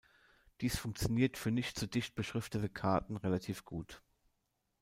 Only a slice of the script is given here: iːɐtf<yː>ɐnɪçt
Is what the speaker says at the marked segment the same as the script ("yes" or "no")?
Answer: yes